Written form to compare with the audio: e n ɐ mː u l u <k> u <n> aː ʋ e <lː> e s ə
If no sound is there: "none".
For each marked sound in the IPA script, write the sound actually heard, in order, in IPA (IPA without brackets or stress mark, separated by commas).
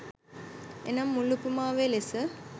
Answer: p, m, l